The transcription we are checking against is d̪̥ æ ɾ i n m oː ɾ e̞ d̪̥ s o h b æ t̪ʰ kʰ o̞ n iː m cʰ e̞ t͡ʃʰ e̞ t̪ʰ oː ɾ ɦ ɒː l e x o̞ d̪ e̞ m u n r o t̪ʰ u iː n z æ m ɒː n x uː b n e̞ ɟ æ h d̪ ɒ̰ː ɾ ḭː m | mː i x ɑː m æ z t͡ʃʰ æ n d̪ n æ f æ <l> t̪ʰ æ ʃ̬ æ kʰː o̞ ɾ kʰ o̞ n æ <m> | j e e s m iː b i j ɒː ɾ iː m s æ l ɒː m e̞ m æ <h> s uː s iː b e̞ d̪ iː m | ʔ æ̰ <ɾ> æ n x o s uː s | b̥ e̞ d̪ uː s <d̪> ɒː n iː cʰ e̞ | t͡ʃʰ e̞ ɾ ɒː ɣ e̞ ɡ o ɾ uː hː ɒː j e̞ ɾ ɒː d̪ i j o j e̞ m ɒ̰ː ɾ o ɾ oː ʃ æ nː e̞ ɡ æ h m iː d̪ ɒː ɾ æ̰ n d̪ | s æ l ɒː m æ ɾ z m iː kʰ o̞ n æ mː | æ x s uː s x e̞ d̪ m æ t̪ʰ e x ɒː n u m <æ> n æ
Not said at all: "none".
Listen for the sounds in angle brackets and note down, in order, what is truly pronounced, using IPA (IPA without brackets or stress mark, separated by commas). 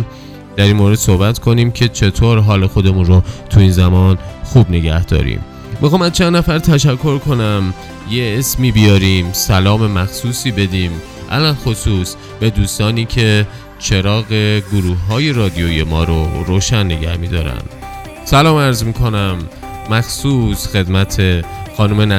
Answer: ɾ, m, x, l, t̪, e